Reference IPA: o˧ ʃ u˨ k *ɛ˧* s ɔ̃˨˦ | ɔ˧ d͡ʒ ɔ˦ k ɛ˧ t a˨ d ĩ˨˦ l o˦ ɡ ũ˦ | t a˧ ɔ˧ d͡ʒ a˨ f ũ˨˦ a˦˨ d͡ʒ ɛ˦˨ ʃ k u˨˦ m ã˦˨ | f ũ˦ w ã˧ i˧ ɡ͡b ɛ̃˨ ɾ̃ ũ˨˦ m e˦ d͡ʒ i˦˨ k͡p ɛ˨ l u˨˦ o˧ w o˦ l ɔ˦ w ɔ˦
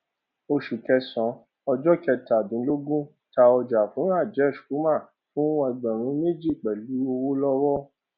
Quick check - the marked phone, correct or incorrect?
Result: correct